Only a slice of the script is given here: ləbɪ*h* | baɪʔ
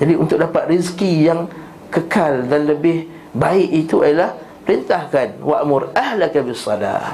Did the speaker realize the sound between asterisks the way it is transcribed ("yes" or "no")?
yes